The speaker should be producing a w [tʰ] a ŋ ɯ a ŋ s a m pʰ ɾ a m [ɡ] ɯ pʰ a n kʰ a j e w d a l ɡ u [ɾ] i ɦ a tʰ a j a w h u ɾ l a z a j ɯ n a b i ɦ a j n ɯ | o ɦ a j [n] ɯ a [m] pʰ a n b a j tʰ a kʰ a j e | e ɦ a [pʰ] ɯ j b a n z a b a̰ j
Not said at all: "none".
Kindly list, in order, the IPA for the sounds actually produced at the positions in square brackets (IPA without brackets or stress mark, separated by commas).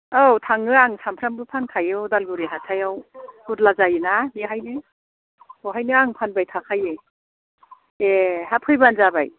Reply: tʰ, b, ɾ, n, ŋ, pʰ